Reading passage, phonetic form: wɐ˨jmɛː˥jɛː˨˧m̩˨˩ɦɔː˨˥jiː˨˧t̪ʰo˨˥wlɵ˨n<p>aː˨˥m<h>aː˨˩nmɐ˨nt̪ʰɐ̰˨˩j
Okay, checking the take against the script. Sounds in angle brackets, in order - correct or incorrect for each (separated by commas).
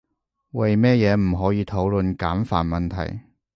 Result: incorrect, incorrect